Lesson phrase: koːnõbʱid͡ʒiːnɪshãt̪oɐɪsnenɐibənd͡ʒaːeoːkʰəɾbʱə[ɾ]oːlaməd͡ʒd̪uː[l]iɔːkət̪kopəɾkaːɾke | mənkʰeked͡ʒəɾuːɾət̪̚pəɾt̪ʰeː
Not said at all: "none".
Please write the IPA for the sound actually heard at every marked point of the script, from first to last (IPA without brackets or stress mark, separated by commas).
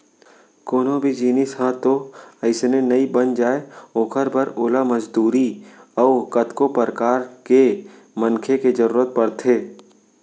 ɾ, ɾ